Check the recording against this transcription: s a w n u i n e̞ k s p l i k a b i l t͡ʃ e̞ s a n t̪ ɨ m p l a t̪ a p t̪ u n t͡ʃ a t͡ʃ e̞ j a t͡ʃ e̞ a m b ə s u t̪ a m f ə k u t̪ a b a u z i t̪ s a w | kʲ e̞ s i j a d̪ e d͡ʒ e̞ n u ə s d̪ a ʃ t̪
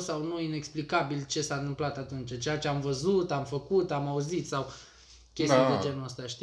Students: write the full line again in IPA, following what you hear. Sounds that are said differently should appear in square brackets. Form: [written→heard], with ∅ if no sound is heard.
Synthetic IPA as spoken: s a w n u i n e̞ k s p l i k a b i l t͡ʃ e̞ s a n t̪ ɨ m p l a t̪ a [p→∅] t̪ u n t͡ʃ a t͡ʃ e̞ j a t͡ʃ e̞ a m [b→v] ə [s→z] u t̪ a m f ə k u t̪ a [b→m] a u z i t̪ s a w | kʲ e̞ s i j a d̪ e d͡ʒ e̞ n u ə s [d̪→t̪] a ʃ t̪